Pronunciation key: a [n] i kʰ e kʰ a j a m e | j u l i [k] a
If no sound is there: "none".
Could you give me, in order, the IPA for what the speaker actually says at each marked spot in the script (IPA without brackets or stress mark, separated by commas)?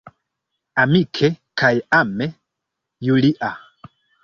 m, ʔ